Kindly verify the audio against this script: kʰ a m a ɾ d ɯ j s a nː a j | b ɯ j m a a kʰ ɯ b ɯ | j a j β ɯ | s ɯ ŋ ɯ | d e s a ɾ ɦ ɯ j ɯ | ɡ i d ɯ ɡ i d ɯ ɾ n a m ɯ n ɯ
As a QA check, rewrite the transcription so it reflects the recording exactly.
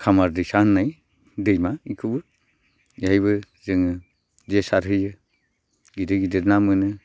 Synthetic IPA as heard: kʰ a m a ɾ d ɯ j s a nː a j | d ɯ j m a i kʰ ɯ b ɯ | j a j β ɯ | z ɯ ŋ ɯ | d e s a ɾ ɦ ɯ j ɯ | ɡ i d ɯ ɡ i d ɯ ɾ n a m ɯ n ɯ